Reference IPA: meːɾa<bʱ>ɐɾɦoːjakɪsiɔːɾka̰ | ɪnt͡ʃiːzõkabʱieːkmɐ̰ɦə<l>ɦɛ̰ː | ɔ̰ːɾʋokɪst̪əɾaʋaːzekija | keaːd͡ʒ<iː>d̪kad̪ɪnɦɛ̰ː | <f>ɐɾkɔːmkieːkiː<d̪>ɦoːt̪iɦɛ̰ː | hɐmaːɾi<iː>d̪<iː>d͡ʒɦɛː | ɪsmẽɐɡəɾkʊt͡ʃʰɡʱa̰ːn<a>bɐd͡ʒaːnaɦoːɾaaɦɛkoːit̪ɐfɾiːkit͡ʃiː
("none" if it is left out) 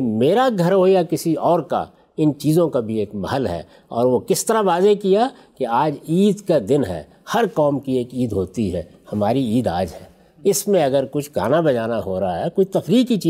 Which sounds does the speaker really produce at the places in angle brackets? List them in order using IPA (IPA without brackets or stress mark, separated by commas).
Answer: ɡʱ, l, iː, h, d̪, iː, aː, a